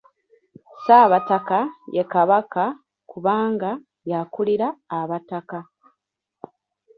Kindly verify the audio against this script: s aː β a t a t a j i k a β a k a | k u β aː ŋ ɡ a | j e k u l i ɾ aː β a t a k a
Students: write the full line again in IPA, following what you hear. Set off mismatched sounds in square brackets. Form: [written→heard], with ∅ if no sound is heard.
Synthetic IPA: s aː β a t a [t→k] a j [i→e] k a β a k a | k u β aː ŋ ɡ a | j [e→a] k u l i ɾ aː β a t a k a